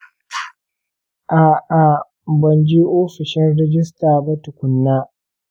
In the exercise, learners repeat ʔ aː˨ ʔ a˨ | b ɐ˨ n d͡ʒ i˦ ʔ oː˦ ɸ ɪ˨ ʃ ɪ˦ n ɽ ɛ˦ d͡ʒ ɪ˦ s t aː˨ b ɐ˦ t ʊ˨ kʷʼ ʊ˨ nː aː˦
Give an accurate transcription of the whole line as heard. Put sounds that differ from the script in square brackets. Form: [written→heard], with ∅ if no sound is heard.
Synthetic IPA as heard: ʔ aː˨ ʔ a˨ | b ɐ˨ n d͡ʒ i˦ ʔ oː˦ ɸ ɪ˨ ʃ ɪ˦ n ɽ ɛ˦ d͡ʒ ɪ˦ s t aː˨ b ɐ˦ t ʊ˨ [kʷʼ→kʷ] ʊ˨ nː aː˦